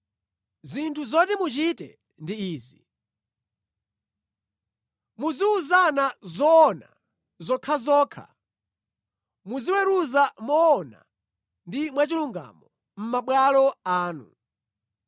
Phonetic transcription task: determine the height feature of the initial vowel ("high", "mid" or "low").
high